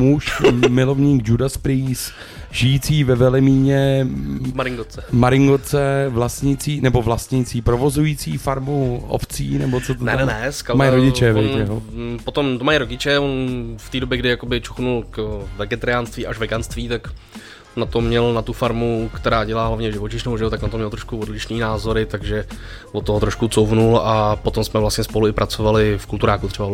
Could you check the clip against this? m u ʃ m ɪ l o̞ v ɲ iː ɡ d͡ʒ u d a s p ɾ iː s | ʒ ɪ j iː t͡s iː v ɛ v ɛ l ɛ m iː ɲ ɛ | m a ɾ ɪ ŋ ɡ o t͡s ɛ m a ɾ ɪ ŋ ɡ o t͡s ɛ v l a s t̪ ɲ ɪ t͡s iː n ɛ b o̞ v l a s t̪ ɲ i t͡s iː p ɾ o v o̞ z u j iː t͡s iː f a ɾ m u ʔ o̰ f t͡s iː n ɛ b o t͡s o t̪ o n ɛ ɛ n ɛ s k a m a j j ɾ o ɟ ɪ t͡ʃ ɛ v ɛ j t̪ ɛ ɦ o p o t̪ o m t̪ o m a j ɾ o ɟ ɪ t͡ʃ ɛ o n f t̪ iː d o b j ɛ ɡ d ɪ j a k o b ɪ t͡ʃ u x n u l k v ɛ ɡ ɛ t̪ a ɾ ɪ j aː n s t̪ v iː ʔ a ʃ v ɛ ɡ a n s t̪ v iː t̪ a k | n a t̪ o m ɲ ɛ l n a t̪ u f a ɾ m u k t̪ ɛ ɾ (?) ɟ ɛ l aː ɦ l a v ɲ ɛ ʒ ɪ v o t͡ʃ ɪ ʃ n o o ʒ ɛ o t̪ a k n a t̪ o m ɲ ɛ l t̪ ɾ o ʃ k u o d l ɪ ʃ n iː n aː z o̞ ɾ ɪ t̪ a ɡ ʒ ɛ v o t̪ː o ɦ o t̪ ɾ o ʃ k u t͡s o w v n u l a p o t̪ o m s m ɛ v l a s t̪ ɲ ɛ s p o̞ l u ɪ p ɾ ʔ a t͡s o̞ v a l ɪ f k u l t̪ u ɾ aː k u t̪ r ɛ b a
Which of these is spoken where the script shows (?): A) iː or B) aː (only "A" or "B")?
B